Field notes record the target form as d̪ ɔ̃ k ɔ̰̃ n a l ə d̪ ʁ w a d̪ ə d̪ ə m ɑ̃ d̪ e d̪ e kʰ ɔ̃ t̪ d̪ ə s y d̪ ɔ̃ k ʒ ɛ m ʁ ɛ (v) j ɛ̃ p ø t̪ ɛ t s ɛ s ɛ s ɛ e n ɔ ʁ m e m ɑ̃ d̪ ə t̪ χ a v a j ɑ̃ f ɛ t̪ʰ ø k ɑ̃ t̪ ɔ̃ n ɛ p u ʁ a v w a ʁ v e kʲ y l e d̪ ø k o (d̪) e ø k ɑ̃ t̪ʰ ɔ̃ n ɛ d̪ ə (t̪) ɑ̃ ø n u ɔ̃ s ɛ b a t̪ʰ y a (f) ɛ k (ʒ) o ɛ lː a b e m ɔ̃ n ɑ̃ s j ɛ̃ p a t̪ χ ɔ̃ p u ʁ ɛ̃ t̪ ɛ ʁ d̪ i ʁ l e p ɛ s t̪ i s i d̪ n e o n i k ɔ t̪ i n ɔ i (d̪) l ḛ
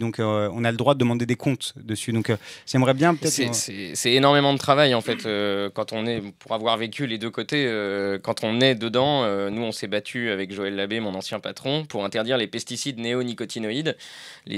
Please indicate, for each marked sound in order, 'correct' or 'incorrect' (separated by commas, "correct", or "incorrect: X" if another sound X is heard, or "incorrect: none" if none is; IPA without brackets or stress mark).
incorrect: b, incorrect: t̪, incorrect: d̪, incorrect: v, correct, correct